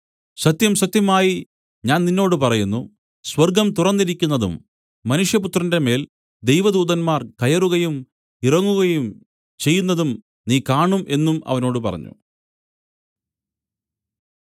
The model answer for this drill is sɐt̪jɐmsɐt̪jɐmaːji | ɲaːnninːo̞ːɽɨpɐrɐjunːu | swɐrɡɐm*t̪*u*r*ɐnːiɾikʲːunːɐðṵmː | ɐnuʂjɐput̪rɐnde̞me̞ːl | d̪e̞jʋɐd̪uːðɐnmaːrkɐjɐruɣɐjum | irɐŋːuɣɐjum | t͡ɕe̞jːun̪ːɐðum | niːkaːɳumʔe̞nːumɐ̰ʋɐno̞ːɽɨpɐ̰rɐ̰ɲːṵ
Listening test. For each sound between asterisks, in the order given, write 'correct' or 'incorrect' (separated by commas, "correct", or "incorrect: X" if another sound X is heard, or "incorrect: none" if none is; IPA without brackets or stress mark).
correct, correct